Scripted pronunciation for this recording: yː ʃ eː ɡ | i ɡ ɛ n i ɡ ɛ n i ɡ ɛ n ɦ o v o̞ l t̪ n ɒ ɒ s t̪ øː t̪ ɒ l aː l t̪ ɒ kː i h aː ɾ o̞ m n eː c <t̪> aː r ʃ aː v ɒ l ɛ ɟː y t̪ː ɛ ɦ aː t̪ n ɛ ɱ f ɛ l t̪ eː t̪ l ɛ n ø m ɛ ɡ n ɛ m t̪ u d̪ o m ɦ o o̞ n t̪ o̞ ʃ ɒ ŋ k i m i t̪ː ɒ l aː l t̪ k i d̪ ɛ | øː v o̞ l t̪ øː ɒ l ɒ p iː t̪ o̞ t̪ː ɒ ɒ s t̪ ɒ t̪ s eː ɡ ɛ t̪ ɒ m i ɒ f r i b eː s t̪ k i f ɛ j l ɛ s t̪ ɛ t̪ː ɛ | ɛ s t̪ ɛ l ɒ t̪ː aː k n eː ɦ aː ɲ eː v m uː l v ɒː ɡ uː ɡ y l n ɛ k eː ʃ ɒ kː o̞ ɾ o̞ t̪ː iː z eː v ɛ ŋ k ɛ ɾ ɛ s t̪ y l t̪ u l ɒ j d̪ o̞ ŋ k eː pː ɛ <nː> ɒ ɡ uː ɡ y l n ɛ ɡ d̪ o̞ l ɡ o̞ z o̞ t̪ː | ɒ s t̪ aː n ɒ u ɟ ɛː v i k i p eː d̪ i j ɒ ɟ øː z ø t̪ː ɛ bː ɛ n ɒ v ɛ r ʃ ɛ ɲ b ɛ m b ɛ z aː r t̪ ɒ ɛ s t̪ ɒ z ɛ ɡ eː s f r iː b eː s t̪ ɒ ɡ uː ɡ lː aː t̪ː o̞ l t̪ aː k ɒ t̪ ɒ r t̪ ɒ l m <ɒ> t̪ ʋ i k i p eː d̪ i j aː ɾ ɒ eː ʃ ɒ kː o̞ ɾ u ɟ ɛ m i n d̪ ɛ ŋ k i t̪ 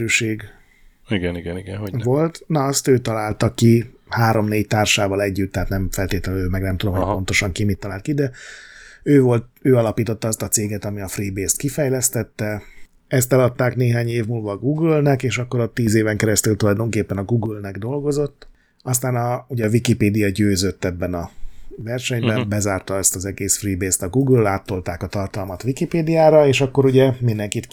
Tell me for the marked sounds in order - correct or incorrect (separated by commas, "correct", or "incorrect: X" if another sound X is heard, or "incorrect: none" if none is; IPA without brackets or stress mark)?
correct, incorrect: n, correct